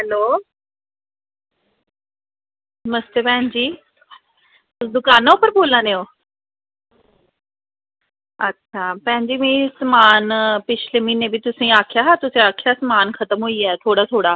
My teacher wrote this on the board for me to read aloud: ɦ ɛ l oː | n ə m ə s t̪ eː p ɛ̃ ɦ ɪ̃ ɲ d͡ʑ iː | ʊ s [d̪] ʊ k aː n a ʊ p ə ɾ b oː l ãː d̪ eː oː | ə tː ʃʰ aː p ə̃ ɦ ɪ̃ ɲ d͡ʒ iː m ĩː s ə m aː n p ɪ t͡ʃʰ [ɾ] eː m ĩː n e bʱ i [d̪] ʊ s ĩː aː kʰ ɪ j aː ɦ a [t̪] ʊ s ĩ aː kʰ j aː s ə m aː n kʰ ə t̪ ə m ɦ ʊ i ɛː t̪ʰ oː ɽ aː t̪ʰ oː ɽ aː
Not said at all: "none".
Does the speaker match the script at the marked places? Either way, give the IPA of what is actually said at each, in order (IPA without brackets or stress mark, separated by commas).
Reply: d̪, l, t̪, t̪